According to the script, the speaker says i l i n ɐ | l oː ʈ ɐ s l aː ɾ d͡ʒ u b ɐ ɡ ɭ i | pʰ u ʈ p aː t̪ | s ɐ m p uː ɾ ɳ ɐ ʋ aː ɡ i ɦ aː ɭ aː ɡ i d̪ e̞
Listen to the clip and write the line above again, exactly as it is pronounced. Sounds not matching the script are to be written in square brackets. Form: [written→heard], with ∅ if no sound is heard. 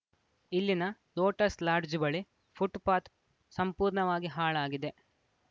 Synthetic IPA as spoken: i [l→lː] i n ɐ | l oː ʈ ɐ s l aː ɾ d͡ʒ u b ɐ [ɡ→∅] ɭ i | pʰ u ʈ p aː t̪ | s ɐ m p uː ɾ ɳ ɐ ʋ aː ɡ i ɦ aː ɭ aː ɡ i d̪ e̞

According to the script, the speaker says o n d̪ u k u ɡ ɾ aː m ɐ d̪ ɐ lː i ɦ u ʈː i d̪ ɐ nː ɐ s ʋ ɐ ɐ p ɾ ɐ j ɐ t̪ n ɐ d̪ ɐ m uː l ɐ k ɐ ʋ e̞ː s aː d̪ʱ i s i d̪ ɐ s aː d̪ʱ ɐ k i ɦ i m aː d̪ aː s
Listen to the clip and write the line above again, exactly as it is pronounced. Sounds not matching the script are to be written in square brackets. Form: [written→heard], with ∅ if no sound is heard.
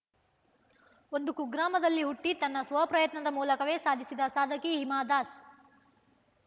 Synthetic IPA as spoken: o n d̪ u k u ɡ ɾ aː m ɐ d̪ ɐ lː i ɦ u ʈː i [d̪→t̪] ɐ nː ɐ s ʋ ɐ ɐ p ɾ ɐ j ɐ t̪ n ɐ d̪ ɐ m uː l ɐ k ɐ ʋ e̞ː s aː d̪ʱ i s i d̪ ɐ s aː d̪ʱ ɐ k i ɦ i m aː d̪ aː s

